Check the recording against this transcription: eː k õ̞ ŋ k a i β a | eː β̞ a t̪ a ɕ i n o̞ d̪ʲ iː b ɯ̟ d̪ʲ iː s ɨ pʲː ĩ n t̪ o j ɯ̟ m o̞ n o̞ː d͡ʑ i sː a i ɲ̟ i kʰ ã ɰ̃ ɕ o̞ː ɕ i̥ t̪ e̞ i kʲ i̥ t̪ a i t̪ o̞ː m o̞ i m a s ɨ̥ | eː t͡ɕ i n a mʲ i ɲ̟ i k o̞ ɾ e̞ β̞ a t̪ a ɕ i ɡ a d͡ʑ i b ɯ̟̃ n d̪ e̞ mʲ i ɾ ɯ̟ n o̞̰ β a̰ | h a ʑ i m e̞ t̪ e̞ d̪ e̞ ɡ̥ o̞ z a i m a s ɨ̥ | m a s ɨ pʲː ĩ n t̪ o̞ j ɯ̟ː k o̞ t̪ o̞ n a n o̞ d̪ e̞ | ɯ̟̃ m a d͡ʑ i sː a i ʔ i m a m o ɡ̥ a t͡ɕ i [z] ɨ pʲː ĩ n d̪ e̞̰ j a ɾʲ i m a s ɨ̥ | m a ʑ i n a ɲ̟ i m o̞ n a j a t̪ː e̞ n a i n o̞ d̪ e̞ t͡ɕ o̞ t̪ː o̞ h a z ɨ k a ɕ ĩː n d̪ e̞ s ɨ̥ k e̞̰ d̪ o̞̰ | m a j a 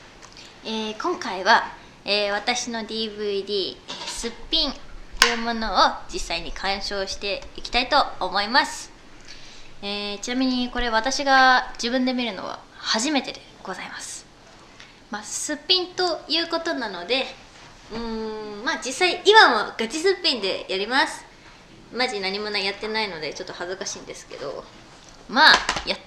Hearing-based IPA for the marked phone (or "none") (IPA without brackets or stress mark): s